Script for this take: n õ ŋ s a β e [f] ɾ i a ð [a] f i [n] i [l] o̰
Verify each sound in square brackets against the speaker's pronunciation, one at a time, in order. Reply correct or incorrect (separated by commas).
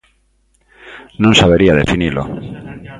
incorrect, incorrect, correct, correct